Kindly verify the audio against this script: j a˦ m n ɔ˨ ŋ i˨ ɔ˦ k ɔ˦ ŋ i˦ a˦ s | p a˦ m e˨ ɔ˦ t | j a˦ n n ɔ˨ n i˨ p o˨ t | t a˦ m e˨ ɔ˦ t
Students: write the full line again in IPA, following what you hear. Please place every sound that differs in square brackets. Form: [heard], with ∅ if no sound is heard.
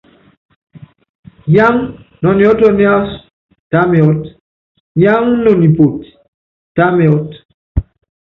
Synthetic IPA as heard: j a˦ [ŋ] n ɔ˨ [n] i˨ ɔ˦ [t] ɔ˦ [n] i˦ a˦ s | [t] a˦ m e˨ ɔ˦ t | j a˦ [ŋ] n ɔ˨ n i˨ p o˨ t | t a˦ m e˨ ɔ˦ t